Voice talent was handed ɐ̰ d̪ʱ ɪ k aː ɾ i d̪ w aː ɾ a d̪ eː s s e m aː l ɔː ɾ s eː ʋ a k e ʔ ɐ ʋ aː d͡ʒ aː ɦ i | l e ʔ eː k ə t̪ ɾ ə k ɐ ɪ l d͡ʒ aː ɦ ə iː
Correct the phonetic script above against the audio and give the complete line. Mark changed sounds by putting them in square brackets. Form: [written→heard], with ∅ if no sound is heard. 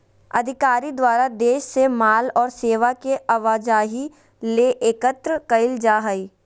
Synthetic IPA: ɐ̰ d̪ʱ ɪ k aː ɾ i d̪ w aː ɾ a d̪ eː [s→ʃ] s e m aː l ɔː ɾ s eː ʋ a k e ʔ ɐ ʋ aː d͡ʒ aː ɦ i | l e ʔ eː k ə t̪ ɾ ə k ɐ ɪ l d͡ʒ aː ɦ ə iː